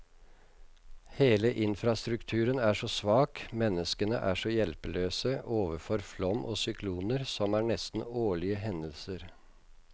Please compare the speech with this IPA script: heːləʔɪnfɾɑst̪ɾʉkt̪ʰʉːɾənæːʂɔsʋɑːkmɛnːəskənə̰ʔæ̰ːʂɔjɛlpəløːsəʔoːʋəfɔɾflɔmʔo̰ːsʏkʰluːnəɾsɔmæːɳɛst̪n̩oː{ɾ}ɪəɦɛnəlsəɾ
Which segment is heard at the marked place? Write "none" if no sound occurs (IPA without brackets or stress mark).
ɭ